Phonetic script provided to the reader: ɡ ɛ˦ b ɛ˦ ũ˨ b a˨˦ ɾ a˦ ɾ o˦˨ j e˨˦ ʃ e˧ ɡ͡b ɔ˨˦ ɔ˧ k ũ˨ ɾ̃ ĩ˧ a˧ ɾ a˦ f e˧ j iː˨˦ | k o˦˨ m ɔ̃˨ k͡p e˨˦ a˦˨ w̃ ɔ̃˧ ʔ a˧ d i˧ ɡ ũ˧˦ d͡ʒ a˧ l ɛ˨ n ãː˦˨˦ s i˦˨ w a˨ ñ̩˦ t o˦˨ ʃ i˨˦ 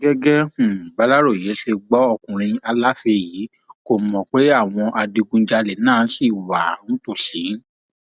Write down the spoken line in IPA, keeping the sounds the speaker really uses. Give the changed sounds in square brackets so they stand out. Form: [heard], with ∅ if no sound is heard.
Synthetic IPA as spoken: ɡ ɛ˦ [ɡ] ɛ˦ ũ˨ b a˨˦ [l] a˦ ɾ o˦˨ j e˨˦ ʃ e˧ ɡ͡b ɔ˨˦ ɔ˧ k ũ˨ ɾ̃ ĩ˧ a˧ [l] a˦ f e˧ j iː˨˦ | k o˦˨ m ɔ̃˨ k͡p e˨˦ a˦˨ w̃ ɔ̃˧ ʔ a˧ d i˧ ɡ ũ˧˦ d͡ʒ a˧ l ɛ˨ n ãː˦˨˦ s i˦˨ w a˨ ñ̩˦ t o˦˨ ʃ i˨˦